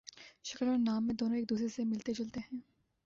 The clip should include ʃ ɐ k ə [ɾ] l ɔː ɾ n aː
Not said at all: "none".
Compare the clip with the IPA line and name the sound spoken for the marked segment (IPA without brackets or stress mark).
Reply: none